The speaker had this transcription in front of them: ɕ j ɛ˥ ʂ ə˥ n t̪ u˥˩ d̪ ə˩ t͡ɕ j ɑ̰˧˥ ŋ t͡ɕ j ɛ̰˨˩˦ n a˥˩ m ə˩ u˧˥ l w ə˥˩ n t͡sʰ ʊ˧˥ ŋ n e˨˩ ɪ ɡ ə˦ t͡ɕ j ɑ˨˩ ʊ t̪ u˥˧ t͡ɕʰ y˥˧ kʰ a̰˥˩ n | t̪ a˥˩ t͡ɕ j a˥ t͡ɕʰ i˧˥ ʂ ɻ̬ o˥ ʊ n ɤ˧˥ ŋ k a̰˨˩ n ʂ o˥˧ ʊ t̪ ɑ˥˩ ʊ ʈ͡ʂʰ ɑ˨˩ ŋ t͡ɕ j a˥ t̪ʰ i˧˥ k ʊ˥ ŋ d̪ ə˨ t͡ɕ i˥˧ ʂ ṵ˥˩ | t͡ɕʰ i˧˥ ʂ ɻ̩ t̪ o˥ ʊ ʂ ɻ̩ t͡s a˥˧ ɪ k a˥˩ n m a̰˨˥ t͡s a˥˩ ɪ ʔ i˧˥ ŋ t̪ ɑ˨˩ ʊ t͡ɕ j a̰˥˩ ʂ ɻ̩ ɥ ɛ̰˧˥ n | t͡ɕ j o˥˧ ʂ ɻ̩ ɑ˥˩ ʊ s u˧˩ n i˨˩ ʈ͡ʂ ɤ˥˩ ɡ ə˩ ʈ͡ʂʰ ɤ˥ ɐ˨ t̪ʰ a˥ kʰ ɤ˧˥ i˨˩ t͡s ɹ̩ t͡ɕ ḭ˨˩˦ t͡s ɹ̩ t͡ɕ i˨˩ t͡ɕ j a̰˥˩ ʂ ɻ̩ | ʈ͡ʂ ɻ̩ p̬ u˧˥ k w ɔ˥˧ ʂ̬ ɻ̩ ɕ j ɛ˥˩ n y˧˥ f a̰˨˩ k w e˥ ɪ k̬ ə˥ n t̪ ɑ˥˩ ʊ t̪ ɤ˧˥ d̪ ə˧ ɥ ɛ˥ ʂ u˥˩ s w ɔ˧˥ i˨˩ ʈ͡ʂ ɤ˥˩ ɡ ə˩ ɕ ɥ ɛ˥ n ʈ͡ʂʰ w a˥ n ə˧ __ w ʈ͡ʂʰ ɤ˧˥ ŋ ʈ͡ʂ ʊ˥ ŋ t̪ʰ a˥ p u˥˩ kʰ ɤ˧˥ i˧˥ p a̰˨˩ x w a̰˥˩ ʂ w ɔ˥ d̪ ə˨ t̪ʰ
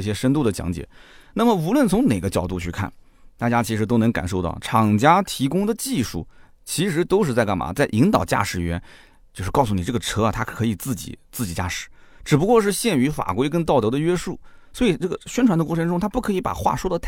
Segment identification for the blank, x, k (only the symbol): k